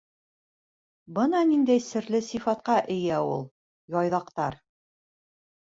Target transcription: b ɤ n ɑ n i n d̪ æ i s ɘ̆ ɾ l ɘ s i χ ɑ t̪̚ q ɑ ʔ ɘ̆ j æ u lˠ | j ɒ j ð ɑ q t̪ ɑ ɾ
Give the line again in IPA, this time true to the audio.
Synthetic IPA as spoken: b ɤ n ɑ n i n d̪ æ j s ɘ̆ ɾ l ɘ s i f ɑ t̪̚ q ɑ ʔ ɘ̆ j æ u lˠ | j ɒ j ð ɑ q t̪ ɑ ɾ